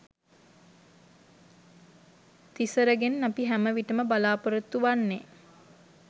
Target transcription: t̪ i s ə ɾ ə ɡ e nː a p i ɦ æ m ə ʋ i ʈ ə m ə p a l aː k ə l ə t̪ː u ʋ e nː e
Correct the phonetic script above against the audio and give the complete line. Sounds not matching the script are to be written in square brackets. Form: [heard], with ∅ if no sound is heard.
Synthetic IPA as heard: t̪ i s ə ɾ ə ɡ e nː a p i ɦ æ m ə ʋ i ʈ ə m ə [b] a l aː [p] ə [ɾ] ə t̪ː u ʋ [a] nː e